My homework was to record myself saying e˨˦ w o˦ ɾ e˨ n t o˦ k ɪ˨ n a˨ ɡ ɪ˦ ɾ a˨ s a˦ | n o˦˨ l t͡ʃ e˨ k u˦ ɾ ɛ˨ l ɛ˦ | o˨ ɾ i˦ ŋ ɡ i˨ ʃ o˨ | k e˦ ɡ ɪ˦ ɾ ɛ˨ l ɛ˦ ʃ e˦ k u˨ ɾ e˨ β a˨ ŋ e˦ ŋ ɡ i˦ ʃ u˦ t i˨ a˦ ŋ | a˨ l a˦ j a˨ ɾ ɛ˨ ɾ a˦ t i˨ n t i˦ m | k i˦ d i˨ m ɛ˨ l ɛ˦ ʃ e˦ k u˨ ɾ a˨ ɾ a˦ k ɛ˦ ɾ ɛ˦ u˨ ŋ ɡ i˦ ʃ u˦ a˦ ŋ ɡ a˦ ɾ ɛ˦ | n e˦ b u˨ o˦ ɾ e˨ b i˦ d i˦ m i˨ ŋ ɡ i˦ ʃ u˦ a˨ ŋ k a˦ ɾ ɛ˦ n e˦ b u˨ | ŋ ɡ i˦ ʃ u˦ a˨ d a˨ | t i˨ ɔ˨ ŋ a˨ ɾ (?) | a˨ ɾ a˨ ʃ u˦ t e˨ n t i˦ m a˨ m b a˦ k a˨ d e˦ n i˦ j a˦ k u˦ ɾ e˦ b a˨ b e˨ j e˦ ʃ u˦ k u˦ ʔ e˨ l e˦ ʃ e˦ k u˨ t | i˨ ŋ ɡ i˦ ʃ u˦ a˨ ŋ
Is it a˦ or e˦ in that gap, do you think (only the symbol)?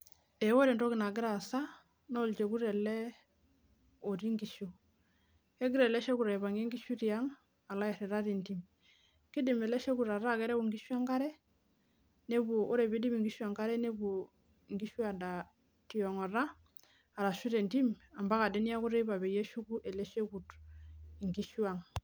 a˦